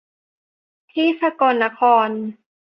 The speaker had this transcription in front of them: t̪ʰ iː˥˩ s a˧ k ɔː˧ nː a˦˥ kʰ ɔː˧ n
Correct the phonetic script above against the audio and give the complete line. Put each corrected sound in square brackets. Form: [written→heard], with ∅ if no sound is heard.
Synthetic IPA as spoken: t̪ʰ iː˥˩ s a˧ k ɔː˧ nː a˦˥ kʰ ɔː˧ n